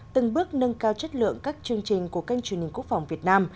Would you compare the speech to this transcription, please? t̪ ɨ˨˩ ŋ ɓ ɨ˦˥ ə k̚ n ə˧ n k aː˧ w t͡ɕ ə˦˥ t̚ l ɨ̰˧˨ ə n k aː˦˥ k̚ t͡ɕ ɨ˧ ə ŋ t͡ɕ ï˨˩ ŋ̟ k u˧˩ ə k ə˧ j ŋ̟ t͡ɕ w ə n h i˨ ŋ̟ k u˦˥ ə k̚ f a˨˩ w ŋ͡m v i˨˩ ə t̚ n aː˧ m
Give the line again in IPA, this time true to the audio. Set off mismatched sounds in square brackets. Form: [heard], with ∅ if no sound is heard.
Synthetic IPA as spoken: t̪ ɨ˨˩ ŋ ɓ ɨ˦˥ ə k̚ n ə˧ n k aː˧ w t͡ɕ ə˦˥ t̚ l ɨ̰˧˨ ə [ŋ] k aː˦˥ k̚ t͡ɕ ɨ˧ ə ŋ t͡ɕ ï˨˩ ŋ̟ k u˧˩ ə k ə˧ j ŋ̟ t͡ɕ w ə n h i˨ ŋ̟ k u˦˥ ə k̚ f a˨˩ w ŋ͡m v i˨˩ ə t̚ n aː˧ m